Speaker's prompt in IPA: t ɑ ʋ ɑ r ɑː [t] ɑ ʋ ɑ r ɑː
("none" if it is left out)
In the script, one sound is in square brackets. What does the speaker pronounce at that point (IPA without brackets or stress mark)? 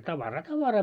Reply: t